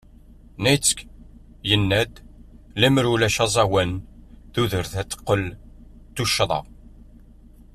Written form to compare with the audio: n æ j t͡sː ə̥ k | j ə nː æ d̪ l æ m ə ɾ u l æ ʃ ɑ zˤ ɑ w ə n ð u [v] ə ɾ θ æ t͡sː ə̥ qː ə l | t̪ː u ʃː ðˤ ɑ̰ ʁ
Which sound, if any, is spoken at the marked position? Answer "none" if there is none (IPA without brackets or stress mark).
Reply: ð